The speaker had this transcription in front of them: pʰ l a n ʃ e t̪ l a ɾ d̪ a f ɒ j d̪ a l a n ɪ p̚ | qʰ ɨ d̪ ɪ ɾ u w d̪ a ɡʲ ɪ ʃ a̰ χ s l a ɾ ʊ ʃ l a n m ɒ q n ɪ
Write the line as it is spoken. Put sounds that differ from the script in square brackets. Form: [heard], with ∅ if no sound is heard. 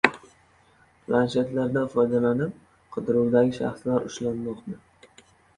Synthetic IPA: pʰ l a n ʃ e t̪ l a ɾ d̪ a f ɒ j d̪ a l a n ɪ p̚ | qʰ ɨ d̪ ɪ ɾ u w d̪ a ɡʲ ɪ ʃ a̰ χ s l a ɾ ʊ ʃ l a n m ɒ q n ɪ